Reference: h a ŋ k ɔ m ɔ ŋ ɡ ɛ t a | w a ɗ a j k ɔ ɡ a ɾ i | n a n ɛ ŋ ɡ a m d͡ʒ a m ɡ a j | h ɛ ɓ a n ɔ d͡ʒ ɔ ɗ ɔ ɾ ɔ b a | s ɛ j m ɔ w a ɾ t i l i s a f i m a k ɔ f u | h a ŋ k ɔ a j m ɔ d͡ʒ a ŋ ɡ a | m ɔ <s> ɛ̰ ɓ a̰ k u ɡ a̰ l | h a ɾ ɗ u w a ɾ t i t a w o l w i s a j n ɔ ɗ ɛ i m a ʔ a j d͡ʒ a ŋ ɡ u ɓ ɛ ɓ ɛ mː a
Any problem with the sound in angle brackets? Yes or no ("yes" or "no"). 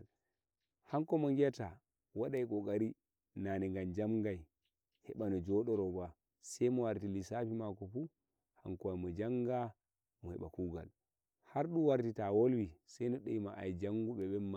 yes